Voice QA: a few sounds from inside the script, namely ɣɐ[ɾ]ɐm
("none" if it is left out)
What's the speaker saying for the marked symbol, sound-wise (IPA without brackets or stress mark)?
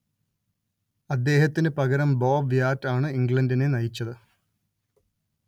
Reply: ɾ